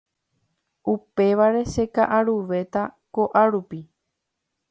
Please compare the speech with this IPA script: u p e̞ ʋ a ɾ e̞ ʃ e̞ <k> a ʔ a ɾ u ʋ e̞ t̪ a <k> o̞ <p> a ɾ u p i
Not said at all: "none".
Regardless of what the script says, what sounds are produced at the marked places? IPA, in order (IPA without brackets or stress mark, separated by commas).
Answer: k, k, ʔ